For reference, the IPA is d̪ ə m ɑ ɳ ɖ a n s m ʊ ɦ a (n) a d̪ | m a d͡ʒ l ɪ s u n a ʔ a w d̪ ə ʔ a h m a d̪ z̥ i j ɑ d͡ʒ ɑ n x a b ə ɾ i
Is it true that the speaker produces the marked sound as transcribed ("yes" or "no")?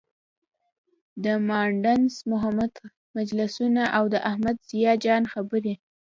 no